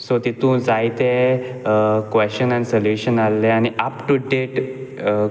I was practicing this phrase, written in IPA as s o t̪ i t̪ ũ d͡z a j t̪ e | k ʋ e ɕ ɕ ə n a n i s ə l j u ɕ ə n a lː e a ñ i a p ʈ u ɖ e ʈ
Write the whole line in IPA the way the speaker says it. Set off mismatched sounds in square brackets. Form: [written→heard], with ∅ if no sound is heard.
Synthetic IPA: s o t̪ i t̪ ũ d͡z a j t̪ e | k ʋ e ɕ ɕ ə n a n i s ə l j u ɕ ə n a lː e a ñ i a p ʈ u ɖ e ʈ